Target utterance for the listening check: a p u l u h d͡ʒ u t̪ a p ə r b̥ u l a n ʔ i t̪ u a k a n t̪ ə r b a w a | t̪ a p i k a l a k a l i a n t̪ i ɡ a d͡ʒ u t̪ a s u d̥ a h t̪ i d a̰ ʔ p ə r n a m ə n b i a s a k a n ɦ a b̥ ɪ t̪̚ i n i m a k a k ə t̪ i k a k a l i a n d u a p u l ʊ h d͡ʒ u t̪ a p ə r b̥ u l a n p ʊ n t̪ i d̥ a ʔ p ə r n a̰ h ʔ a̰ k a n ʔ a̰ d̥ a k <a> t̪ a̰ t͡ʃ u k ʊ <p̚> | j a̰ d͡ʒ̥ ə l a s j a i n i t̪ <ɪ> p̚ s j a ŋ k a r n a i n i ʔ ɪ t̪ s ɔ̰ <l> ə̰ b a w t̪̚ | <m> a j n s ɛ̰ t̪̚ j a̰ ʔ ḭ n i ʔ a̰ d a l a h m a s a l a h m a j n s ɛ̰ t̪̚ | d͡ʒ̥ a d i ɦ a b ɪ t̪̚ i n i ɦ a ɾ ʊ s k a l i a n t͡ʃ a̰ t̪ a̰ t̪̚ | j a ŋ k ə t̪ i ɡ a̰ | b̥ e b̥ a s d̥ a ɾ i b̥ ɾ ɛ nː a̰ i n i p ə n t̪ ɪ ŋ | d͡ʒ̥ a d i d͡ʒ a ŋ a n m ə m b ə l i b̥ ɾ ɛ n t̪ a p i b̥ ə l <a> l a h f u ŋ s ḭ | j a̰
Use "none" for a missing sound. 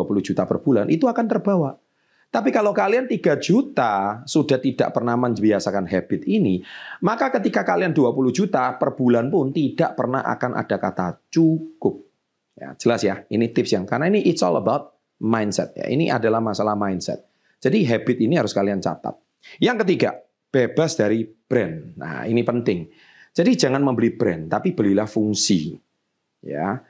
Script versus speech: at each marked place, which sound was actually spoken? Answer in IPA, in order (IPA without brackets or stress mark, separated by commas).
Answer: a, p̚, ɪ, l, m, i